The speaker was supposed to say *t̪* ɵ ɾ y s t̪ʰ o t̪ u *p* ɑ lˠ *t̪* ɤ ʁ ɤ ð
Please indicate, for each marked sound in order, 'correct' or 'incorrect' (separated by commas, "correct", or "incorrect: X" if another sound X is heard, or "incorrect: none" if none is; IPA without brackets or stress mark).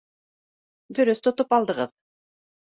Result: incorrect: d̪, correct, incorrect: d̪